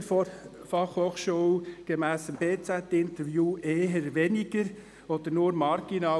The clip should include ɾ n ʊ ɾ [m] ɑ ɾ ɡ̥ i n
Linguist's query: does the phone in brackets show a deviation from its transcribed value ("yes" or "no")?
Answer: no